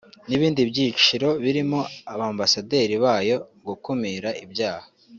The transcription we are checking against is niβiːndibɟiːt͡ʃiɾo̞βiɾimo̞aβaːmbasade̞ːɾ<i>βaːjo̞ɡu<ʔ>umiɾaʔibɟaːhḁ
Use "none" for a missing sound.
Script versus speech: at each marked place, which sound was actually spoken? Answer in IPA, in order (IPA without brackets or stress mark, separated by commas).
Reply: i, k